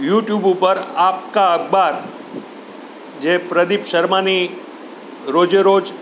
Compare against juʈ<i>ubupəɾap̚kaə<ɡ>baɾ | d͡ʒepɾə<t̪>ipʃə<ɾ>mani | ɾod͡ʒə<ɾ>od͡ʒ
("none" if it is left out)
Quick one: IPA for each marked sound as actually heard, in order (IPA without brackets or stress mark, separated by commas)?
j, ɡ, d̪, ɾ, ɾ